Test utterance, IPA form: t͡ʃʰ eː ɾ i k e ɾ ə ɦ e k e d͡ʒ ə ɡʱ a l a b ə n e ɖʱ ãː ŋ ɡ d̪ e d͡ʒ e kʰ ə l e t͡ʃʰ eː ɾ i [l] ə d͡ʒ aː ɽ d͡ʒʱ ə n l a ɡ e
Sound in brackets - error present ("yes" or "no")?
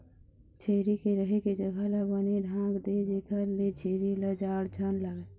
no